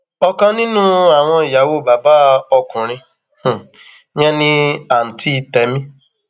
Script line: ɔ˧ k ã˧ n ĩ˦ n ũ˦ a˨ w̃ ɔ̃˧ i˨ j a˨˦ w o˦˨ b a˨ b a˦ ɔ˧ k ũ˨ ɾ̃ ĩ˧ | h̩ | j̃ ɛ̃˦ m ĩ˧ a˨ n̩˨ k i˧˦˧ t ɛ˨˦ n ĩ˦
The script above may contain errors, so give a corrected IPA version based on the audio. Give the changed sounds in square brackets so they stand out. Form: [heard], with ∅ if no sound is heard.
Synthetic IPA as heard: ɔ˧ k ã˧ n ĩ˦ n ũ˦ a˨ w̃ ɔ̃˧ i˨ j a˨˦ w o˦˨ b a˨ b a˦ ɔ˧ k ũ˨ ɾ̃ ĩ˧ | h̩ | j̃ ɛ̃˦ [n] ĩ˧ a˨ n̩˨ [t] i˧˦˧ t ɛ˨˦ [m] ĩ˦